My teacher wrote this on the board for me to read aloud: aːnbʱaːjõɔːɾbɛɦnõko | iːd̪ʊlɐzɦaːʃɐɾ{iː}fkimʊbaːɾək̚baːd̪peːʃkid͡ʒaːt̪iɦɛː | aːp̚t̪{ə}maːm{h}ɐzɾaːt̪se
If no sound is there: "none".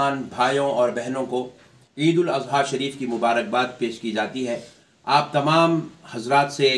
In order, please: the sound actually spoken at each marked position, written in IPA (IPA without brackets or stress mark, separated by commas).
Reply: iː, ɐ, h